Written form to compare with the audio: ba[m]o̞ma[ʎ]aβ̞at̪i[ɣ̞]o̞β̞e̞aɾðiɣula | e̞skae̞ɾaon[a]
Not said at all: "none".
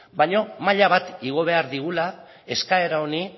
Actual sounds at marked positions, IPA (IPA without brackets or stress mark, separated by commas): ɲ, ʎ, ɣ̞, i